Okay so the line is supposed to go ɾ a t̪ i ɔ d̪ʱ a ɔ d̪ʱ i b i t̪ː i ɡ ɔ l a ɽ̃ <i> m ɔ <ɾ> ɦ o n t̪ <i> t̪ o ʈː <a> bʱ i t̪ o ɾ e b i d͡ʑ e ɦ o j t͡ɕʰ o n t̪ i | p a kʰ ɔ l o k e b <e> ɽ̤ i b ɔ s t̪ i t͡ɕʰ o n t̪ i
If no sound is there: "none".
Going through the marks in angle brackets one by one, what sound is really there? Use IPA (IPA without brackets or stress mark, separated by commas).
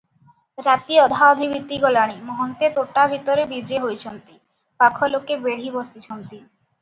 i, none, e, a, e